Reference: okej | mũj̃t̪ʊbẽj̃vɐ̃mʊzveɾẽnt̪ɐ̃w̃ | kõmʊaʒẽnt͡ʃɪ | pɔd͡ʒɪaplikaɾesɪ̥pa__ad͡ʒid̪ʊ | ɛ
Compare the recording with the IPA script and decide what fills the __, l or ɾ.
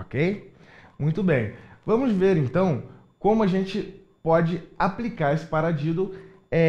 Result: ɾ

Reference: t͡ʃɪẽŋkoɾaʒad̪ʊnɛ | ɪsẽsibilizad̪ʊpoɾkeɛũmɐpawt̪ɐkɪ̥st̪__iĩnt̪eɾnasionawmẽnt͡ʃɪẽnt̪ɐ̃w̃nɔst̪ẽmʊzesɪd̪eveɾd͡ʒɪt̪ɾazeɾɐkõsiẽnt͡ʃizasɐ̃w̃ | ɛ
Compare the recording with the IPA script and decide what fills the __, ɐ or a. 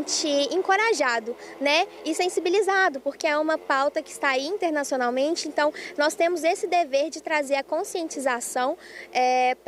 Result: a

